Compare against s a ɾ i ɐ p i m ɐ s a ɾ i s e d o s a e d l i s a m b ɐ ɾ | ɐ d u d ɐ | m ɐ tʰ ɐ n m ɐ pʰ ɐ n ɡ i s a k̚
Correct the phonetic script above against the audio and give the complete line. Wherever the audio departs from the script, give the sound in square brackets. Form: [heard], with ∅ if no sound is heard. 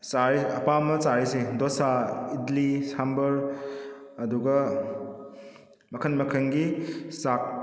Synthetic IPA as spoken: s a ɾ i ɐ p [a] m ɐ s a ɾ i s e d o s a [i] d l i s a m b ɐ ɾ | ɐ d u [ɡ] ɐ | m ɐ [kʰ] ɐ n m ɐ [kʰ] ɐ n ɡ i s a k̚